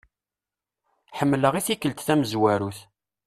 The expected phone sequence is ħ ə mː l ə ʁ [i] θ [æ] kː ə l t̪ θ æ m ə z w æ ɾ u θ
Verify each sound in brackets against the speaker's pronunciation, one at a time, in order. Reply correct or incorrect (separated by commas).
correct, incorrect